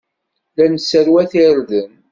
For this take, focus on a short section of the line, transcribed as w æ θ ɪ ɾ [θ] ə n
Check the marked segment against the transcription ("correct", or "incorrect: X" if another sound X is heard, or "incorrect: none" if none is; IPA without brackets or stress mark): incorrect: ð